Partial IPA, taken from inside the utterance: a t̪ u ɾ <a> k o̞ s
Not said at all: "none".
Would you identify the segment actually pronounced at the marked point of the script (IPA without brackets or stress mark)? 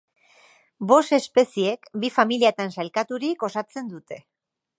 i